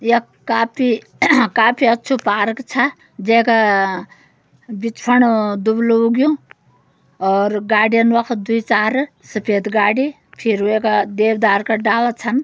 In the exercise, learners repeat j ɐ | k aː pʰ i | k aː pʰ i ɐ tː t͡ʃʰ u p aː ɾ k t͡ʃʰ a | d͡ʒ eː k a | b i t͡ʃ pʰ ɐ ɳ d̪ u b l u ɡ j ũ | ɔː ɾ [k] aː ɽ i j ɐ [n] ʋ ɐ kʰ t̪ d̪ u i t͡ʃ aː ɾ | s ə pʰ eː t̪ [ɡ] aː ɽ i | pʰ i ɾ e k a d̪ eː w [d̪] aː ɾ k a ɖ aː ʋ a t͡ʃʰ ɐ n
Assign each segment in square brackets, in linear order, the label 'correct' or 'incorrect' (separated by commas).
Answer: incorrect, correct, correct, correct